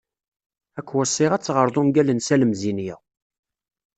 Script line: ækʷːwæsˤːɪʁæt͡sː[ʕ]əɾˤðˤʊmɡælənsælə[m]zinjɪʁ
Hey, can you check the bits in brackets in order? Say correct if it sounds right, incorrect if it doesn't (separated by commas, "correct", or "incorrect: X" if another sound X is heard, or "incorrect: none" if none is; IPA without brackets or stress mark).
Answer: incorrect: ʁ, correct